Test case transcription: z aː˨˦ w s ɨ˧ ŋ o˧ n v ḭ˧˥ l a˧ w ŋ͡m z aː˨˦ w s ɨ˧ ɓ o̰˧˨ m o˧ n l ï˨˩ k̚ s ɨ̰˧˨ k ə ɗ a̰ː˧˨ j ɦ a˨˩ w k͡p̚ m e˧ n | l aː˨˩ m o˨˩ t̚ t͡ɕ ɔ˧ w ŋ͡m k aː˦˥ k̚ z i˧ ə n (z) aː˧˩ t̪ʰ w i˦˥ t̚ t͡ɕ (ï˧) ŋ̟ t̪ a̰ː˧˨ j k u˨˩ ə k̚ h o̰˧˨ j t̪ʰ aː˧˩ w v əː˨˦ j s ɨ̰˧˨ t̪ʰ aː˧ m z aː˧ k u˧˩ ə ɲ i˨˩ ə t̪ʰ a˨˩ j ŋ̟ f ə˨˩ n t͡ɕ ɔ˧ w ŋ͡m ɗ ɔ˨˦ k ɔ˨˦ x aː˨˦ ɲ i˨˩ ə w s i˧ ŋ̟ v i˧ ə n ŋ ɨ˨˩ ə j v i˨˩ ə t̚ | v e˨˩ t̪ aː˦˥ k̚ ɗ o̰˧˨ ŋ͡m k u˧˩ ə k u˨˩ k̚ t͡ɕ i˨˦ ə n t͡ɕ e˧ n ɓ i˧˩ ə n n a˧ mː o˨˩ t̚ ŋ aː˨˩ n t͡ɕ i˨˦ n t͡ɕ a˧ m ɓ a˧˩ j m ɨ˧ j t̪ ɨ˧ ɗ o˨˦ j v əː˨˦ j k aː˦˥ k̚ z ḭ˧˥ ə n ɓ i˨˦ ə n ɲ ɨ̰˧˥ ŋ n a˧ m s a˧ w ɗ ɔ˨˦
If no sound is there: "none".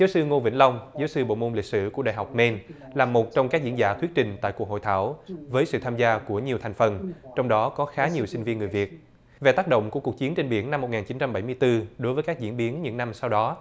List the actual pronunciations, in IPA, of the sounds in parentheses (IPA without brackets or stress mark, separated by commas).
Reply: z, ï˨˩